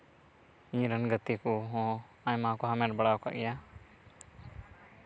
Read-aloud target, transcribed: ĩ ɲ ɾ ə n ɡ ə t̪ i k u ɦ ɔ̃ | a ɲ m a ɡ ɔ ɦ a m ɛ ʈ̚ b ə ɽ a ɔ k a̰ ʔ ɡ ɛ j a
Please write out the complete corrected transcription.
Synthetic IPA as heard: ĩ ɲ ɾ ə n ɡ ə t̪ i k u ɦ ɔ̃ | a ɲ m a k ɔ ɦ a m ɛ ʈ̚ b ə ɽ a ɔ k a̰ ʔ ɡ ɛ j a